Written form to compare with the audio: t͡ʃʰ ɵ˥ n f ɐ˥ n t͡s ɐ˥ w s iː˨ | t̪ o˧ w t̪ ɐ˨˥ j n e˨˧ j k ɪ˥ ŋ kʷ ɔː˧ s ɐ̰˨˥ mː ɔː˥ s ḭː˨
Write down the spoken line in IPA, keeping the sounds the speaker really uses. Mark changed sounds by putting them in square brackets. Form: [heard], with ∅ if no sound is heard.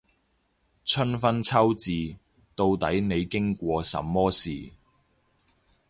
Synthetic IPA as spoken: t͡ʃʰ ɵ˥ n f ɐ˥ n [t͡sʰ] ɐ˥ w [t͡s] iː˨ | t̪ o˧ w t̪ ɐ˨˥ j n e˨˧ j k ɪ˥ ŋ kʷ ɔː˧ s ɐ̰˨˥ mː ɔː˥ s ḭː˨